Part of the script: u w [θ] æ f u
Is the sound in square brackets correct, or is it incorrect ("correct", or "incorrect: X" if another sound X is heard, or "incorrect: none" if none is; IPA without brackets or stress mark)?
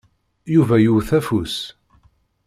correct